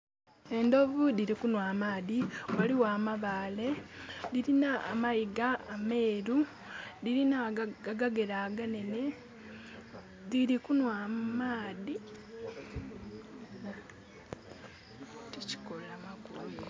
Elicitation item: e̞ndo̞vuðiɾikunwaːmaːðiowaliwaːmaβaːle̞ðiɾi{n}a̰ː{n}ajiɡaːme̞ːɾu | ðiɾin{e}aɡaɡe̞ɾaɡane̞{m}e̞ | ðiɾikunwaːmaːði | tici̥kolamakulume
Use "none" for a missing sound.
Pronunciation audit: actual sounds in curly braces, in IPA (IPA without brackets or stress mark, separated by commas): n, m, a, n